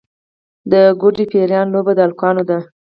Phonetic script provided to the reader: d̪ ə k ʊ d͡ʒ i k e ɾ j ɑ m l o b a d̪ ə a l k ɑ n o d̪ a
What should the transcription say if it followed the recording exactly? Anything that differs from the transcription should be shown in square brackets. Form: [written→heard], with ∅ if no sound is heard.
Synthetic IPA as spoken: d̪ ə [k→ɡ] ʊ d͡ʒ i [k→p] e ɾ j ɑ [m→n] l o b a d̪ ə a l k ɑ n o d̪ a